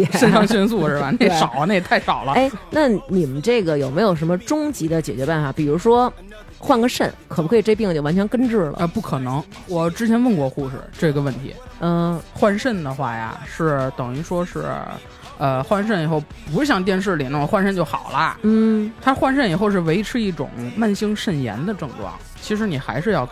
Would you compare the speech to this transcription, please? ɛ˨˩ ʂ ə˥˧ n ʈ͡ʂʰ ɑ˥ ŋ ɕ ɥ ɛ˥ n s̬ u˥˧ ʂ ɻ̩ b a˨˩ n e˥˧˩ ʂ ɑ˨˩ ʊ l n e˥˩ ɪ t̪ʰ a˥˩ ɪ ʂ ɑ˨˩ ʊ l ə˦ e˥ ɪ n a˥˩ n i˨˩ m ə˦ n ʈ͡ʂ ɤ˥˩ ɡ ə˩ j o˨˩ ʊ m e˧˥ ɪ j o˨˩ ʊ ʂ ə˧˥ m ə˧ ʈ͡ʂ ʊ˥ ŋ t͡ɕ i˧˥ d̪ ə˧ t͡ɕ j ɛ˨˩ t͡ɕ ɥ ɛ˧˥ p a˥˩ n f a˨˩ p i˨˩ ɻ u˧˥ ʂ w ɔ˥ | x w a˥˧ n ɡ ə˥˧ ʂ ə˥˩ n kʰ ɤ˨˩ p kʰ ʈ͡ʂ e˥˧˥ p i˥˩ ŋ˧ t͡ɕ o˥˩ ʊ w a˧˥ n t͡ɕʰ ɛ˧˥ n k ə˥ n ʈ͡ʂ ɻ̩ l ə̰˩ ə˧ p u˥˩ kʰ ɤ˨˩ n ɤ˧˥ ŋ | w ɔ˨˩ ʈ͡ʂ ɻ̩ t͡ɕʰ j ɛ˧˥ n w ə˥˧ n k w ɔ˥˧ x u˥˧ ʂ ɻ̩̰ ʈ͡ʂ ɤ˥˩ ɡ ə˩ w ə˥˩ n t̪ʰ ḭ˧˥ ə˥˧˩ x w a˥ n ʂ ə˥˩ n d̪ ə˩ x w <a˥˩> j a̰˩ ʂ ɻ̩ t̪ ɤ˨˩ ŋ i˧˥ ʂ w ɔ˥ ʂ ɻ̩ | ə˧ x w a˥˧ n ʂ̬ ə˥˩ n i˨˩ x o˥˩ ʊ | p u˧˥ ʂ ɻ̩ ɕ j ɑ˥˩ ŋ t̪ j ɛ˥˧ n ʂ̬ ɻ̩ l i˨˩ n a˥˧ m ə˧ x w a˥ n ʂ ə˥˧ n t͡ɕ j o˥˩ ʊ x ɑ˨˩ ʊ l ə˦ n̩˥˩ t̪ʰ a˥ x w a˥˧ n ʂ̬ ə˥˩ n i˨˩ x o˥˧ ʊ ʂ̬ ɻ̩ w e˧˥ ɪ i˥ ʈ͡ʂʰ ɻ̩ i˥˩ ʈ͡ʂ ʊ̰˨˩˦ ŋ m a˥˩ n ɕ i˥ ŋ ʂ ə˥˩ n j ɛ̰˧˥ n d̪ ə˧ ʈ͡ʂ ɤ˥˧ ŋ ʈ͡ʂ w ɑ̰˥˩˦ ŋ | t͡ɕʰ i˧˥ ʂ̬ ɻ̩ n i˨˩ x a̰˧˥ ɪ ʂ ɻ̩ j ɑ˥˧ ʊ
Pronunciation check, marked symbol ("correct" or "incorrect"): correct